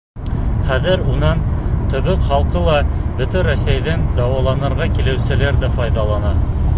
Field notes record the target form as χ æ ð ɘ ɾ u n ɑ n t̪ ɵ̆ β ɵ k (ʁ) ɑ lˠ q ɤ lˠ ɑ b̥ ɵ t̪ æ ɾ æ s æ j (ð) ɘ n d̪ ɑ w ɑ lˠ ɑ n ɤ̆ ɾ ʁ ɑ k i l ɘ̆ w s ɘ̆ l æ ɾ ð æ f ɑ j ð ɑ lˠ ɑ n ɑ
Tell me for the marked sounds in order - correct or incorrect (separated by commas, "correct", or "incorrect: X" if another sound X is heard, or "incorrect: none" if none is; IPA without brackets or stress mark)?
incorrect: χ, correct